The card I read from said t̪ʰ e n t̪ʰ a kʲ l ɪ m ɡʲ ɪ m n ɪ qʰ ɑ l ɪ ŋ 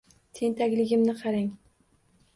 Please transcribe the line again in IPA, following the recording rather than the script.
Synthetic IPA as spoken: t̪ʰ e n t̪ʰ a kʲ l ɪ ɡʲ ɪ m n ɪ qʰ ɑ ɾ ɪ ŋ